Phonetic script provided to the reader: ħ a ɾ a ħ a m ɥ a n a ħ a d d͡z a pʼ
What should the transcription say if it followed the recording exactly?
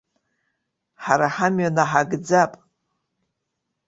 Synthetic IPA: ħ a ɾ a ħ a m ɥ a n a ħ a ɡ d͡z a pʼ